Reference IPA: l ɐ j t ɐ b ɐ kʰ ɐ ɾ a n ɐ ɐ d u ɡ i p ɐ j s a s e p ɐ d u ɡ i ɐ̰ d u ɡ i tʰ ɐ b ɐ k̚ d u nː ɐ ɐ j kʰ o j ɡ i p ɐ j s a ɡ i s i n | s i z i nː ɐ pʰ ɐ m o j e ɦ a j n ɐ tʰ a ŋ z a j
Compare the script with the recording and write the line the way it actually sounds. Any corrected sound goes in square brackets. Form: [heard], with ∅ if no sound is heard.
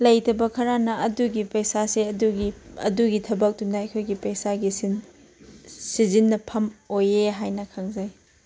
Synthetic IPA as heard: l ɐ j t ɐ b ɐ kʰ ɐ ɾ a n ɐ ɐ d u ɡ i p ɐ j s a s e [∅] ɐ d u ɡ i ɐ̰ d u ɡ i tʰ ɐ b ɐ k̚ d u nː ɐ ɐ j kʰ o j ɡ i p ɐ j s a ɡ i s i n | s i z i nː ɐ pʰ ɐ m o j e ɦ a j n ɐ [kʰ] a ŋ z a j

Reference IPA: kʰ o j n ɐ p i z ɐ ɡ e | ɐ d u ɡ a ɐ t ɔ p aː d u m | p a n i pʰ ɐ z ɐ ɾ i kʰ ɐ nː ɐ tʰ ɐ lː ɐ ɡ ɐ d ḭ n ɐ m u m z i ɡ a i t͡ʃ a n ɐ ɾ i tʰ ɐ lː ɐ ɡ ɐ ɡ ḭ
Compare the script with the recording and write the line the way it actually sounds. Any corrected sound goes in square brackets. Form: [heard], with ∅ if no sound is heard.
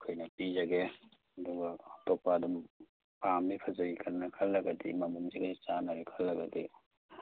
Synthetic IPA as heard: kʰ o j n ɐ p i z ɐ ɡ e | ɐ d u ɡ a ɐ t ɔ p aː d u m | p a [m] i pʰ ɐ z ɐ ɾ i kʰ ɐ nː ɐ [kʰ] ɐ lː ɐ ɡ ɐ d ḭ [m] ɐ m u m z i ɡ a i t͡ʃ a n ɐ ɾ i [kʰ] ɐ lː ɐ ɡ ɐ [d] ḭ

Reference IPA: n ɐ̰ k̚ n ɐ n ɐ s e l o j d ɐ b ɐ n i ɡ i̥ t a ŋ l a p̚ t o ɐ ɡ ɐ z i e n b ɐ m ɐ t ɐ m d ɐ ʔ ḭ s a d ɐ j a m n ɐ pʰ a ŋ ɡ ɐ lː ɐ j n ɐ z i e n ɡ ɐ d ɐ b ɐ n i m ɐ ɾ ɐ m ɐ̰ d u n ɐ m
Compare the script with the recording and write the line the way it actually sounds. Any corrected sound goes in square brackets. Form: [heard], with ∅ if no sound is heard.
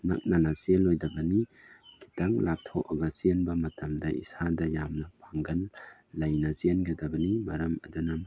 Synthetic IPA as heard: n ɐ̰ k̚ n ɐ n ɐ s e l o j d ɐ b ɐ n i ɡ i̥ t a ŋ l a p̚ [tʰ] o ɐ ɡ ɐ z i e n b ɐ m ɐ t ɐ m d ɐ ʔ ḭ s a d ɐ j a m n ɐ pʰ a ŋ ɡ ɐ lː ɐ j n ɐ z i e n ɡ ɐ d ɐ b ɐ n i m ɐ ɾ ɐ m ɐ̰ d u n ɐ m

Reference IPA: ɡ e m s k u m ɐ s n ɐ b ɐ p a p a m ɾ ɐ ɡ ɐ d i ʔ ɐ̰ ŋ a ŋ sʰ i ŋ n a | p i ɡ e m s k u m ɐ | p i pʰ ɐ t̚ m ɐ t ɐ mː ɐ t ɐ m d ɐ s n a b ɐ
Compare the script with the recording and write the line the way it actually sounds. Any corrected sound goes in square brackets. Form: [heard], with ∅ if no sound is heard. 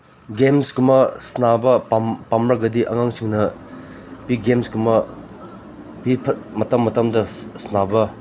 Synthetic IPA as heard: ɡ e m s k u m ɐ s n [a] b ɐ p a p a m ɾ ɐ ɡ ɐ d i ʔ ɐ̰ ŋ a ŋ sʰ i ŋ n [ɐ] | p i ɡ e m s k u m ɐ | p i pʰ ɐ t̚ m ɐ t ɐ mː ɐ t ɐ m d ɐ s n a b ɐ

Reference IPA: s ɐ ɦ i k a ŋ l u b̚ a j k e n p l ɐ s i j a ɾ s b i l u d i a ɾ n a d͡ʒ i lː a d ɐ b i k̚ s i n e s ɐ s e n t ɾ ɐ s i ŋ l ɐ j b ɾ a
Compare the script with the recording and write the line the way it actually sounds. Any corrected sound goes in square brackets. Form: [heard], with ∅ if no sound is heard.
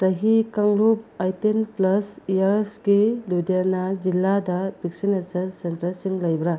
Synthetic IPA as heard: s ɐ ɦ i k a ŋ l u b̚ a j [t] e n p l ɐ s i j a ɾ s [ɡ] i l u d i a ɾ n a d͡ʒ i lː a d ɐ b i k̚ s i n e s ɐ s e n t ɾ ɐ s i ŋ l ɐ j b ɾ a

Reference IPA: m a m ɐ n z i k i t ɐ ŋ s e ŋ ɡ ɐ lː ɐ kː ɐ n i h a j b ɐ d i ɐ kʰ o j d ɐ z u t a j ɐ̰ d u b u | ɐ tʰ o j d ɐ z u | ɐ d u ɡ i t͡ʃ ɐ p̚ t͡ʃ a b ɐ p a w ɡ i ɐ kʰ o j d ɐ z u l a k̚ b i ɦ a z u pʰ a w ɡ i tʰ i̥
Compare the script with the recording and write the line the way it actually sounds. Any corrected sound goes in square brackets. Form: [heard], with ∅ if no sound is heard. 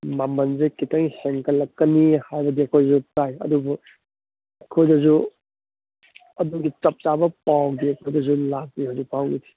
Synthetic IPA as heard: m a m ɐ n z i k i t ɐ ŋ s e ŋ [k] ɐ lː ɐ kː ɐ n i h a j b ɐ d i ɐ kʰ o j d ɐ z u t a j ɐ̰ d u b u | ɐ [kʰ] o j d ɐ z u | ɐ d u ɡ i t͡ʃ ɐ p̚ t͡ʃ a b ɐ p a w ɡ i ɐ kʰ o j d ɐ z u l a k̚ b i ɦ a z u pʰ a w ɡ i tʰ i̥

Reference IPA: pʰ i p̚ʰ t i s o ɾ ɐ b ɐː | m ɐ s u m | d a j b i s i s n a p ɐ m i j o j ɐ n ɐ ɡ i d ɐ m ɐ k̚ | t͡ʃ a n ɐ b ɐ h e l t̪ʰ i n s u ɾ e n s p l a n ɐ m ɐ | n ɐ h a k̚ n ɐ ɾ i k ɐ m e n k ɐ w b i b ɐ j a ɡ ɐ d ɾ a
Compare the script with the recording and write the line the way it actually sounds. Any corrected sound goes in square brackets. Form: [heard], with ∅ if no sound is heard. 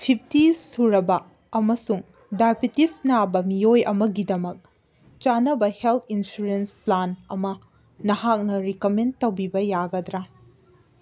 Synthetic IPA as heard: pʰ i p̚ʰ t i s [u] ɾ ɐ b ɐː | m ɐ s u [ŋ] | d a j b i [t] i s n a [b] ɐ m i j o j ɐ [m] ɐ ɡ i d ɐ m ɐ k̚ | t͡ʃ a n ɐ b ɐ h e l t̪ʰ i n s u ɾ e n s p l a n ɐ m ɐ | n ɐ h a k̚ n ɐ ɾ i k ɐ m e n [t] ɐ w b i b ɐ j a ɡ ɐ d ɾ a

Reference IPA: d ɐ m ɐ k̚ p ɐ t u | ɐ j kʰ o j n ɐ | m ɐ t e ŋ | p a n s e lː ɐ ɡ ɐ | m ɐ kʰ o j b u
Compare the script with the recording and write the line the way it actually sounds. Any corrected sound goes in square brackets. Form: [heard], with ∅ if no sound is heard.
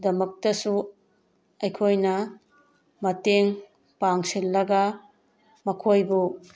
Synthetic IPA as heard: d ɐ m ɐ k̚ [t] ɐ [s] u | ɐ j kʰ o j n ɐ | m ɐ t e ŋ | p a [ŋ] s [i] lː ɐ ɡ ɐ | m ɐ kʰ o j b u

